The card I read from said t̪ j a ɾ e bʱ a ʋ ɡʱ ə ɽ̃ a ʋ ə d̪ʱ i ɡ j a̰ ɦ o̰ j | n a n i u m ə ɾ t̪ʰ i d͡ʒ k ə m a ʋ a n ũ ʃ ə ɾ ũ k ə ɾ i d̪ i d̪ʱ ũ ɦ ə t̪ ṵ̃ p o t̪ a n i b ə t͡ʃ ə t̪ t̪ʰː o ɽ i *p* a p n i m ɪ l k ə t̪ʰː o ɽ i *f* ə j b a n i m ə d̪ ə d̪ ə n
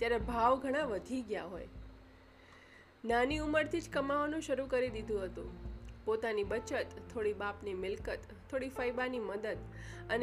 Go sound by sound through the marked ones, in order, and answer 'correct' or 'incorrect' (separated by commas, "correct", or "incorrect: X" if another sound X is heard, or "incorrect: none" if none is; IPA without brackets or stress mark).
incorrect: b, correct